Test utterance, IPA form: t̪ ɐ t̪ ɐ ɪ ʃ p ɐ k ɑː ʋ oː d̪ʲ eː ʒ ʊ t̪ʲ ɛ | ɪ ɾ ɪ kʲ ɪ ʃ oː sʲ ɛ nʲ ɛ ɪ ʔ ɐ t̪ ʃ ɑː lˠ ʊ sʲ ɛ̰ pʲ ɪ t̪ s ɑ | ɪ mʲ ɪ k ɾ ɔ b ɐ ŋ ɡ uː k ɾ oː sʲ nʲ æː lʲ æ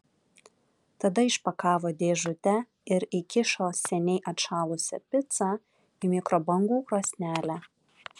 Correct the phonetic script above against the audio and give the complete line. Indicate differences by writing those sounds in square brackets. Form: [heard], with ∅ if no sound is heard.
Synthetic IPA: t̪ ɐ [d̪] ɐ ɪ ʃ p ɐ k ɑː ʋ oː d̪ʲ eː ʒ ʊ t̪ʲ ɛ | ɪ ɾ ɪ kʲ ɪ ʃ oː sʲ ɛ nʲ ɛ ɪ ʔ ɐ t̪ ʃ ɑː lˠ ʊ sʲ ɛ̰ pʲ ɪ t̪ s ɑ | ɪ mʲ ɪ k ɾ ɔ b ɐ ŋ ɡ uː k ɾ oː sʲ nʲ æː lʲ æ

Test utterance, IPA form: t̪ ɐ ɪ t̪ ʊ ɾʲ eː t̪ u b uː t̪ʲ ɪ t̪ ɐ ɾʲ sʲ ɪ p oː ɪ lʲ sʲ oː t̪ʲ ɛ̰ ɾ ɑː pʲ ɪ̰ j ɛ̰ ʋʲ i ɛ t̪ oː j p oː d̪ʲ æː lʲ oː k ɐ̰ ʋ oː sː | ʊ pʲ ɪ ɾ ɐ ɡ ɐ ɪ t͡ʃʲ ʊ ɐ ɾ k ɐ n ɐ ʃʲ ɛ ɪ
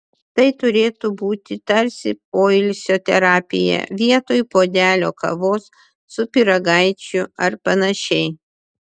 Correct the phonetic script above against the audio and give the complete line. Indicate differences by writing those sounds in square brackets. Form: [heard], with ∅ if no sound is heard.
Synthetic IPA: t̪ ɐ ɪ t̪ ʊ ɾʲ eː t̪ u b uː t̪ʲ ɪ t̪ ɐ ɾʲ sʲ ɪ p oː ɪ lʲ sʲ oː t̪ʲ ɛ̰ ɾ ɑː pʲ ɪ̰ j ɛ̰ ʋʲ i ɛ t̪ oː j p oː d̪ʲ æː lʲ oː k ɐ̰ ʋ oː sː | ʊ pʲ ɪ ɾ ɐ ɡ ɐ ɪ t͡ʃʲ ʊ ɐ ɾ [p] ɐ n ɐ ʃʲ ɛ ɪ

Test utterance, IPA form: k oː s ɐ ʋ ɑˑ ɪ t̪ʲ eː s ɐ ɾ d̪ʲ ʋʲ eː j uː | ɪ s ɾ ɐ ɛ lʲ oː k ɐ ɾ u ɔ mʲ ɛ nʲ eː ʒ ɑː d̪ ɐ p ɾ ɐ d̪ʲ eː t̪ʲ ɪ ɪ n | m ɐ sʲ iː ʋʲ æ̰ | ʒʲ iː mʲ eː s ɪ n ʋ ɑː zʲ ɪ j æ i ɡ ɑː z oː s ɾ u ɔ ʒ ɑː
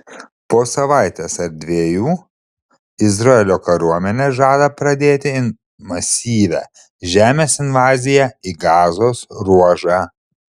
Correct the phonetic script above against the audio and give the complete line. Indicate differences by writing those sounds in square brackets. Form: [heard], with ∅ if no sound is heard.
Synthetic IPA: [p] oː s ɐ ʋ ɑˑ ɪ t̪ʲ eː s ɐ ɾ d̪ʲ ʋʲ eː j uː | ɪ [z] ɾ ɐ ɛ lʲ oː k ɐ ɾ u ɔ mʲ ɛ nʲ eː ʒ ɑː d̪ ɐ p ɾ ɐ d̪ʲ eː t̪ʲ ɪ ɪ n | m ɐ sʲ iː ʋʲ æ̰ | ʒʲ [æː] mʲ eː s ɪ n ʋ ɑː zʲ ɪ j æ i ɡ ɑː z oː s ɾ u ɔ ʒ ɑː

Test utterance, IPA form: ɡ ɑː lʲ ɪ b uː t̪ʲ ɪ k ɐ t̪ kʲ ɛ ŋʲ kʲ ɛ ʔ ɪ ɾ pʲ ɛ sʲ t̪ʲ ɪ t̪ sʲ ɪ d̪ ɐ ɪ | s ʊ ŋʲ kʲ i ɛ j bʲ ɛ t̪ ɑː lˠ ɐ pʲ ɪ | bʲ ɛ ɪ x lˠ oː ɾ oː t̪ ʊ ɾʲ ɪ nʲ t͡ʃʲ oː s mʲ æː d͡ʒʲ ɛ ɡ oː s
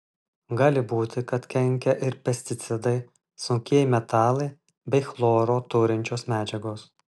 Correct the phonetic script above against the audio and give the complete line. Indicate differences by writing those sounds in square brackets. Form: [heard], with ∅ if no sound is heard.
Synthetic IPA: ɡ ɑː lʲ ɪ b uː t̪ʲ ɪ k ɐ t̪ kʲ ɛ ŋʲ kʲ ɛ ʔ ɪ ɾ pʲ ɛ sʲ t̪ʲ ɪ t̪ sʲ ɪ d̪ ɐ ɪ | s ʊ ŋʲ kʲ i ɛ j [mʲ] ɛ t̪ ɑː lˠ ɐ [∅] ɪ | bʲ ɛ ɪ x lˠ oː ɾ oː t̪ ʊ ɾʲ ɪ nʲ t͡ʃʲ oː s mʲ æː d͡ʒʲ ɛ ɡ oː s

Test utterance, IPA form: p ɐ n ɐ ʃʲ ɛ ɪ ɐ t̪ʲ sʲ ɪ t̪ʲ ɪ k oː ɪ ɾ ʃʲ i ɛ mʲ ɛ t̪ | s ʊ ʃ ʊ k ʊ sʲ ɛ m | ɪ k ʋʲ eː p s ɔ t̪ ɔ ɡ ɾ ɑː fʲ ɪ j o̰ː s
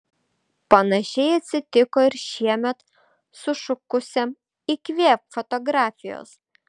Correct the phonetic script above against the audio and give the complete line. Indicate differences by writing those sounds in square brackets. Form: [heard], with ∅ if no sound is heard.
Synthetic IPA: p ɐ n ɐ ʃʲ ɛ ɪ ɐ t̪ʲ sʲ ɪ t̪ʲ ɪ k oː ɪ ɾ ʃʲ i ɛ mʲ ɛ t̪ | s ʊ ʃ ʊ k ʊ sʲ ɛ m | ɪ k ʋʲ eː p [f] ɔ t̪ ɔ ɡ ɾ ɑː fʲ ɪ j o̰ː s

